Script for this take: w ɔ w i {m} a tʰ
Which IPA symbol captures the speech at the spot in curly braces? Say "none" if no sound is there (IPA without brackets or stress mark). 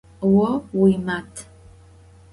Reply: m